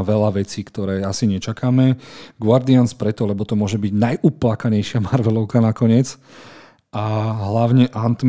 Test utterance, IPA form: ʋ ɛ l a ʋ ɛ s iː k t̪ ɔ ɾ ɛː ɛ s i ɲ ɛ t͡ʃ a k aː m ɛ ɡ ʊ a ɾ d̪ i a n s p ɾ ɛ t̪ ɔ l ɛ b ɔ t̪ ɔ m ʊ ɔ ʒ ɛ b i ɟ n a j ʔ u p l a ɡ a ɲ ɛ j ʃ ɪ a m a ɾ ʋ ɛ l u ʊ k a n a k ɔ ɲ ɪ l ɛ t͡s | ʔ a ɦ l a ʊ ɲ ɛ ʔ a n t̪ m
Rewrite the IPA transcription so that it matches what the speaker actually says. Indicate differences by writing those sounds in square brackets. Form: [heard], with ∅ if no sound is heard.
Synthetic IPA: ʋ ɛ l a ʋ ɛ [t͡s] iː k t̪ ɔ ɾ ɛː [a] s i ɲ ɛ t͡ʃ a k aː m ɛ ɡ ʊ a ɾ d̪ i a n s p ɾ ɛ t̪ ɔ l ɛ b ɔ t̪ ɔ m ʊ ɔ ʒ ɛ b i ɟ n a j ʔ u p l a [k] a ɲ ɛ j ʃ ɪ a m a ɾ ʋ ɛ l [ɔ] ʊ k a n a k ɔ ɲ ɪ [∅] ɛ t͡s | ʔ a ɦ l a ʊ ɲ ɛ ʔ a n t̪ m